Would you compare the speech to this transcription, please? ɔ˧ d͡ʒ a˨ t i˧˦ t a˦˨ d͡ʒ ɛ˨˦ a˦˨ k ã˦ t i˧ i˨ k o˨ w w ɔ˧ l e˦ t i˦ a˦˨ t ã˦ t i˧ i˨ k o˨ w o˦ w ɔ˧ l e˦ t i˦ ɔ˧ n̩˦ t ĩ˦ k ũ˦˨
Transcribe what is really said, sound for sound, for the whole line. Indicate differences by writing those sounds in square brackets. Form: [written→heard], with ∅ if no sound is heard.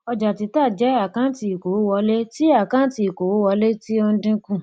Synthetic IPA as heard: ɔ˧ d͡ʒ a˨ t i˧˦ t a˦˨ d͡ʒ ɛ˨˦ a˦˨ k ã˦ t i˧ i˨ k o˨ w w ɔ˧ l e˦ t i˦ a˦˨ [t→k] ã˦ t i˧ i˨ k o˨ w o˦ w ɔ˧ l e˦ t i˦ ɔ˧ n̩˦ [t→d] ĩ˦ k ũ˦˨

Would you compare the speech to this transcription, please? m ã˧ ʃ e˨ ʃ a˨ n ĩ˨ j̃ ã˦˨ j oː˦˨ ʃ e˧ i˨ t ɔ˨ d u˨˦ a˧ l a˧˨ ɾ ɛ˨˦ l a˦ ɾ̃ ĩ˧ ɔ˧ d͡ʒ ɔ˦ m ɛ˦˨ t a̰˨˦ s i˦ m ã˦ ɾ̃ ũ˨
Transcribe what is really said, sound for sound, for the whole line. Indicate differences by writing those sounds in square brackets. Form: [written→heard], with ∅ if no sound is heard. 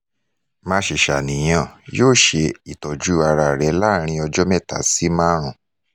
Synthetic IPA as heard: m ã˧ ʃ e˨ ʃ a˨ n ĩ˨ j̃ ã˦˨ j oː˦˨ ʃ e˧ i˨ t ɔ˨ [d→d͡ʒ] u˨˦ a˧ [l→ɾ] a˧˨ ɾ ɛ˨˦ l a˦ ɾ̃ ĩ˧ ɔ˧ d͡ʒ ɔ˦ m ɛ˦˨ t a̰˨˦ s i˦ m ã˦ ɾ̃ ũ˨

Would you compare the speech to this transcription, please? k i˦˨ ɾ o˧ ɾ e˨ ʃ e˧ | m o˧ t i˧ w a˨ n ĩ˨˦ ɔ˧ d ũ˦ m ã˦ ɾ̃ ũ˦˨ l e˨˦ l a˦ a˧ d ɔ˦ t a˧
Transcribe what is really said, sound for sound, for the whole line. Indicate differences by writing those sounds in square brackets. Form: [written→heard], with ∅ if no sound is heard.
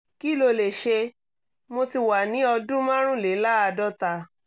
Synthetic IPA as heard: k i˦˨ [ɾ→l] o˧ [ɾ→l] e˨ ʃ e˧ | m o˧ t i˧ w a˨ n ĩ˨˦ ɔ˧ d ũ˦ m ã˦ ɾ̃ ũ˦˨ l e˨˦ l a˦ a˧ d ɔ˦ t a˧

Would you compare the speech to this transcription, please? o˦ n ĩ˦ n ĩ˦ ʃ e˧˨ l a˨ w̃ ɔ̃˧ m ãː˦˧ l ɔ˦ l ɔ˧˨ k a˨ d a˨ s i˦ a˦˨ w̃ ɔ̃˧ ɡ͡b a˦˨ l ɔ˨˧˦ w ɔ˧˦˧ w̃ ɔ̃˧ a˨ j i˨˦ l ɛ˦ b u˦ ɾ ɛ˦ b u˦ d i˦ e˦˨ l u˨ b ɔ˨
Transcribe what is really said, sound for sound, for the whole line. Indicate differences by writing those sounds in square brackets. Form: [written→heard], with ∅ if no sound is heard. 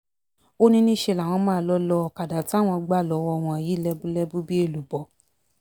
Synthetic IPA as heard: o˦ n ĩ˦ n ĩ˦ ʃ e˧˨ l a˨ w̃ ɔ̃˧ m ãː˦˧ l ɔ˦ l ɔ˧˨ k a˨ d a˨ [s→t] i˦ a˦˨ w̃ ɔ̃˧ ɡ͡b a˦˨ l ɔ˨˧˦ w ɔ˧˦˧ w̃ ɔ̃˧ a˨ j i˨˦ l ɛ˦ b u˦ [ɾ→l] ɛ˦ b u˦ [d→b] i˦ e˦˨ l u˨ b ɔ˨

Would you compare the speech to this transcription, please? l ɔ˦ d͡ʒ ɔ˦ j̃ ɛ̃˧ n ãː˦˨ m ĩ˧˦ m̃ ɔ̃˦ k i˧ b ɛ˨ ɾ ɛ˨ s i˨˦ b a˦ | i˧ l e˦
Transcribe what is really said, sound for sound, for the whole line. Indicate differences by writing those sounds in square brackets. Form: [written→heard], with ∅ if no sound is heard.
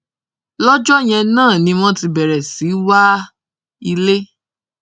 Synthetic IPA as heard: l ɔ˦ d͡ʒ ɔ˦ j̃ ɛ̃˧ n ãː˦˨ [m→n] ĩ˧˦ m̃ ɔ̃˦ [k→t] i˧ b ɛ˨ ɾ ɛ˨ s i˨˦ [b→w] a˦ | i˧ l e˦

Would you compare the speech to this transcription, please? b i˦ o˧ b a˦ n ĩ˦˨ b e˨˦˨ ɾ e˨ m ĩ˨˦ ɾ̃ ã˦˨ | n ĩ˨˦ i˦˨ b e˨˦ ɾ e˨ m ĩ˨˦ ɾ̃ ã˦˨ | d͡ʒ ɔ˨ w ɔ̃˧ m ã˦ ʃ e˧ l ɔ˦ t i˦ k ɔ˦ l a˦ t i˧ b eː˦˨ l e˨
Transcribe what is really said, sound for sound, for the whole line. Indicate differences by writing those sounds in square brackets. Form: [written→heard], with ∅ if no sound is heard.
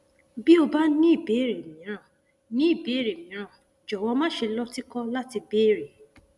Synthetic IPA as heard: b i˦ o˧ b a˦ n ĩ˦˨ b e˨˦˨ ɾ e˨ m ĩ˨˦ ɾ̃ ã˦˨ | n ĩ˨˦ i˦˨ b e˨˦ ɾ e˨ m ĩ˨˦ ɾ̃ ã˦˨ | d͡ʒ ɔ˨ w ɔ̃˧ m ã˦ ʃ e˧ l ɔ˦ t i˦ k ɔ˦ l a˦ t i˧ b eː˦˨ [l→ɾ] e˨

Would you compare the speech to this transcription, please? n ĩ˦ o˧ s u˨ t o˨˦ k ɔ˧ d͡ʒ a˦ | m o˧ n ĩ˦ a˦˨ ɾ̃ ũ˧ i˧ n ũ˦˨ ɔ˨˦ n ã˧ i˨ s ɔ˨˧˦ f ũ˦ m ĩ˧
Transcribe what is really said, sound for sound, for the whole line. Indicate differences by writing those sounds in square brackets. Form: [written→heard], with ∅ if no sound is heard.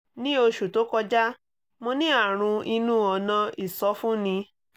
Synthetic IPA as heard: n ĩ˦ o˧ [s→ʃ] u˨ t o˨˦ k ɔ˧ d͡ʒ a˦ | m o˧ n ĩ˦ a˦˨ ɾ̃ ũ˧ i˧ n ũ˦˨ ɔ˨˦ n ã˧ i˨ s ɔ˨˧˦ f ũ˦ [m→n] ĩ˧

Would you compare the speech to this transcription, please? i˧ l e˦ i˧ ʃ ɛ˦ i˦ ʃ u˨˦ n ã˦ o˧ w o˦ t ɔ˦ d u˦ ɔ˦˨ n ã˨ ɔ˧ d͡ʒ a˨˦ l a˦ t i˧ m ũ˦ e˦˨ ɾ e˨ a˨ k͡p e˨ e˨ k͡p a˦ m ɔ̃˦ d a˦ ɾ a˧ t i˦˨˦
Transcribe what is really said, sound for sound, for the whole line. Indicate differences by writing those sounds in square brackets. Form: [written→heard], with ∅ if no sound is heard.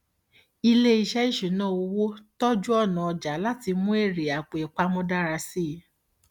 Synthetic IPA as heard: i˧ l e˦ i˧ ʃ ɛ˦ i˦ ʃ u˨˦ n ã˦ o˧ w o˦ t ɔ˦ [d→d͡ʒ] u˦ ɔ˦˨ n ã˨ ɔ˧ d͡ʒ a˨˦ l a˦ t i˧ m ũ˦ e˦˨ ɾ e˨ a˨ k͡p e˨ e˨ k͡p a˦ m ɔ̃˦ d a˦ ɾ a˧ [t→s] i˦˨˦

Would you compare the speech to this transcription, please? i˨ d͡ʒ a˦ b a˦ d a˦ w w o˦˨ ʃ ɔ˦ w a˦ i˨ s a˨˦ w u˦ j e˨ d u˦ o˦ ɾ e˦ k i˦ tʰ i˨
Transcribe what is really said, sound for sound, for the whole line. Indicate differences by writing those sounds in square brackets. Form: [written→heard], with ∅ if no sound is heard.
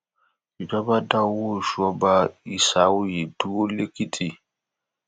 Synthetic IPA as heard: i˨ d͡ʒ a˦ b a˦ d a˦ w w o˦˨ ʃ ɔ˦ [w→b] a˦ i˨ s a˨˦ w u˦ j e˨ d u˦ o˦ [ɾ→l] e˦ k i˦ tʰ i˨

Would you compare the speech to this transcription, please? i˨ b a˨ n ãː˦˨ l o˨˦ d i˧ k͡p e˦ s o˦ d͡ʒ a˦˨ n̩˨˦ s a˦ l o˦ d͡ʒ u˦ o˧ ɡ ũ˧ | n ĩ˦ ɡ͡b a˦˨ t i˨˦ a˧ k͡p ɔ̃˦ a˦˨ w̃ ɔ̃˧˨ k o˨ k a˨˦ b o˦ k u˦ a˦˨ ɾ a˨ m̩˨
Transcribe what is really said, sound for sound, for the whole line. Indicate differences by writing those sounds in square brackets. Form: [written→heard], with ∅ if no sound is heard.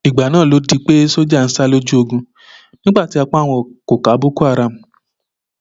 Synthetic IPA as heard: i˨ [b→ɡ͡b] a˨ n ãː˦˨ l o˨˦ d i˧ k͡p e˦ s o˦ d͡ʒ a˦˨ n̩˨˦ s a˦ l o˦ d͡ʒ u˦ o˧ ɡ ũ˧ | n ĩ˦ ɡ͡b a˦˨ t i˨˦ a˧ k͡p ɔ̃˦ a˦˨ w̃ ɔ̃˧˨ k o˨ k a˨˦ b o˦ k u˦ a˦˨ ɾ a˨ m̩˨

